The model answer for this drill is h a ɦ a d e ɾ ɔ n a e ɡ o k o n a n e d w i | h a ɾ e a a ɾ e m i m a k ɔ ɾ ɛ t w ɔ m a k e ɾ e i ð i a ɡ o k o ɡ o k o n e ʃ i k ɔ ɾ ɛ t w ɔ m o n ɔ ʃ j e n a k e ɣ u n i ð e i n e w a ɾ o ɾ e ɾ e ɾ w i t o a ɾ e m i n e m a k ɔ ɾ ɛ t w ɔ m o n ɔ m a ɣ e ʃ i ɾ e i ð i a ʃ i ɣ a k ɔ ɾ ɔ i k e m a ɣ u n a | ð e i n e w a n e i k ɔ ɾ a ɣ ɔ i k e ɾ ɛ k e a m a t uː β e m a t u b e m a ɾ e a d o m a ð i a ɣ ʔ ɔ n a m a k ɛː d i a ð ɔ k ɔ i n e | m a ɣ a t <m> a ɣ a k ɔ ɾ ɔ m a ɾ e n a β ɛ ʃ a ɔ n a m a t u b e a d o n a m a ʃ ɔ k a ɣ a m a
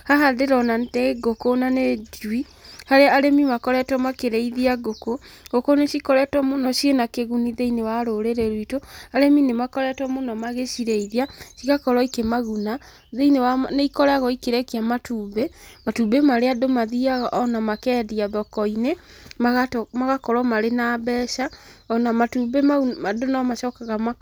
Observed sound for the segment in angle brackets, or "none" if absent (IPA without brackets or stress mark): m